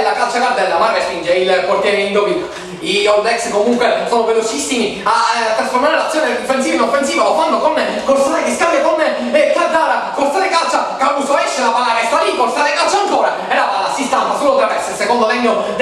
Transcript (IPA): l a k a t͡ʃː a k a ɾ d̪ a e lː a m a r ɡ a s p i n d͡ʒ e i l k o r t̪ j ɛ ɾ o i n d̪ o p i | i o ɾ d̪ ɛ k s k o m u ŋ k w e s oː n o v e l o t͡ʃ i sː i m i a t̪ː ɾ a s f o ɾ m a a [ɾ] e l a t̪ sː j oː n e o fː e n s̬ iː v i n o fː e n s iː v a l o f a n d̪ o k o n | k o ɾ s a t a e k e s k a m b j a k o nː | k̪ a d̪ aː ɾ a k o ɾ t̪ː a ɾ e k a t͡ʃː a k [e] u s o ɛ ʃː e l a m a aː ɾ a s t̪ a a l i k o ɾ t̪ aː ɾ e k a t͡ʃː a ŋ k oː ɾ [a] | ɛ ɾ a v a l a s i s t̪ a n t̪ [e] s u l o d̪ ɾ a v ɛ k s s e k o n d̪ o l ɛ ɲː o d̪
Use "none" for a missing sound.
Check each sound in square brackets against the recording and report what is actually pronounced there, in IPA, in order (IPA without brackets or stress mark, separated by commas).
ɾ, a, a, a